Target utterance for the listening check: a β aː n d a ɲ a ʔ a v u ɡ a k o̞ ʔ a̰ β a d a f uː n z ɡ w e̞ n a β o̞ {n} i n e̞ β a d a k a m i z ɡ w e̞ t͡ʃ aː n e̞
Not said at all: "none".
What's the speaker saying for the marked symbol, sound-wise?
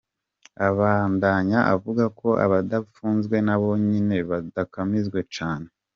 ɲ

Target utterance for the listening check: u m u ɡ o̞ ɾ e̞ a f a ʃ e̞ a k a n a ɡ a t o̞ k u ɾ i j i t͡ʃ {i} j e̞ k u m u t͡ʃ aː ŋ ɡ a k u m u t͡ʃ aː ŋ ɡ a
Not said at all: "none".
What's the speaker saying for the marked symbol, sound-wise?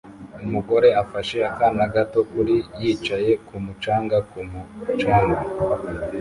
a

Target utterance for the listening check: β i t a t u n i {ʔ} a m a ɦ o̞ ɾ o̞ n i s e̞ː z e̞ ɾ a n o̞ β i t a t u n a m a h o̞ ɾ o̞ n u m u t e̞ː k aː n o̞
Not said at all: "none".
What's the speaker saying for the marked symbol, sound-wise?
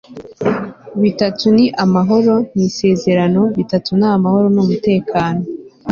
ʔ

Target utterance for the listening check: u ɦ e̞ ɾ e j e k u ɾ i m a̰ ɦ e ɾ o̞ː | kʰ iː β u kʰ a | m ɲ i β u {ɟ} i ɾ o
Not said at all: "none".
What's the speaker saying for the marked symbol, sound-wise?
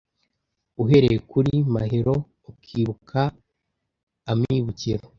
c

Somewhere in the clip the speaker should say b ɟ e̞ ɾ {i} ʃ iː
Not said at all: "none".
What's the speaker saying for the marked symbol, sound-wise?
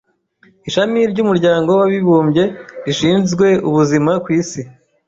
i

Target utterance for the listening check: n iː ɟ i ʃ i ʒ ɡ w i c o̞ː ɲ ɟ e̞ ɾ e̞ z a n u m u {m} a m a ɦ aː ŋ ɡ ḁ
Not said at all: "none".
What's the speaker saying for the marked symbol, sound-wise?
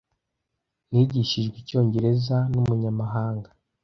ɲ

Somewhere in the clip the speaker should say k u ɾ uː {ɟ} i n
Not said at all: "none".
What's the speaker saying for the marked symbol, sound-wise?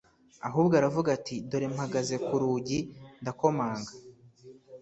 ɟ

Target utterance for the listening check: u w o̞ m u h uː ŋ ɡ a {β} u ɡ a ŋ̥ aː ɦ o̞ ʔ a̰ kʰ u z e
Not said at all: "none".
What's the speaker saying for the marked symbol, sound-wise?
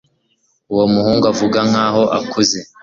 v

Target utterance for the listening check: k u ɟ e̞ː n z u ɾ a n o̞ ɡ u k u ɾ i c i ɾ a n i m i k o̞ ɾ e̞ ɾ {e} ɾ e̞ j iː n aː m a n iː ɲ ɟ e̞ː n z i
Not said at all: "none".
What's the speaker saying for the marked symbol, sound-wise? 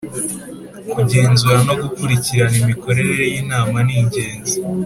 e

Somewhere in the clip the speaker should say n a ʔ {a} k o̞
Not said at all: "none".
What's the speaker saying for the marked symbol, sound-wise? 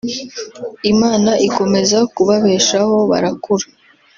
i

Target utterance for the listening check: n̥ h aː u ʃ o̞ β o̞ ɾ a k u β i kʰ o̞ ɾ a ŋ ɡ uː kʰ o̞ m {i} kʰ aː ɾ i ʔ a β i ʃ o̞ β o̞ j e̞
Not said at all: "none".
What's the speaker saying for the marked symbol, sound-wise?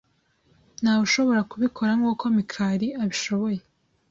i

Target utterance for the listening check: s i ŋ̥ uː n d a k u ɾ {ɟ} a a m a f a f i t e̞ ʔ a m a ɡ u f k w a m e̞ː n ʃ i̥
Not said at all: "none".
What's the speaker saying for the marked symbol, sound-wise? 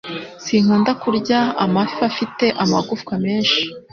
ɟ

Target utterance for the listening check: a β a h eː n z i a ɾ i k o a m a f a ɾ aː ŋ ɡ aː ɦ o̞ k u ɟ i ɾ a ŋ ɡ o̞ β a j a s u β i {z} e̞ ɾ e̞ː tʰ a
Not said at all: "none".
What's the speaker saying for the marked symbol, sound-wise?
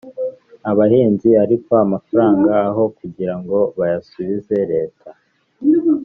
z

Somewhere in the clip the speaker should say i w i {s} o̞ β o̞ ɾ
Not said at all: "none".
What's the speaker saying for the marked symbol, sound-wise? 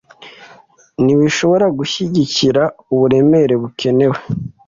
ʃ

